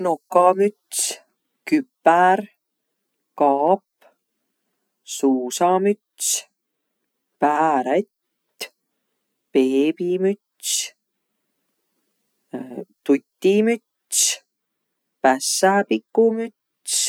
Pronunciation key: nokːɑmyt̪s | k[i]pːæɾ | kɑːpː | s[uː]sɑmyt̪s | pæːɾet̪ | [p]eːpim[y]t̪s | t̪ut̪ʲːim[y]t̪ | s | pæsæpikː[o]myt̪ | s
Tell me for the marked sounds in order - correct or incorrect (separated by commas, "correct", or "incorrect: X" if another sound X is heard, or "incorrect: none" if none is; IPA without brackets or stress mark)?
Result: incorrect: y, correct, correct, correct, correct, incorrect: u